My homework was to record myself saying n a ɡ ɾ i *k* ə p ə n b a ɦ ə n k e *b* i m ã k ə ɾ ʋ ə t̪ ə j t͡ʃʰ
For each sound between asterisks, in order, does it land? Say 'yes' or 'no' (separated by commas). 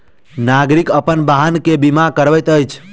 yes, yes